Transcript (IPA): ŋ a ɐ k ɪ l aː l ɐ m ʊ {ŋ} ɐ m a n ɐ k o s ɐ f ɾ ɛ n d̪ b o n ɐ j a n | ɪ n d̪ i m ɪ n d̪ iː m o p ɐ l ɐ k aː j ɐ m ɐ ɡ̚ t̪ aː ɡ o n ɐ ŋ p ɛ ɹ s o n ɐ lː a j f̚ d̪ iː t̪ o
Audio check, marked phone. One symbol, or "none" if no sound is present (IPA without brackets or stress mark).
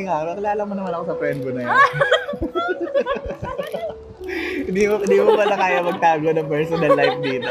n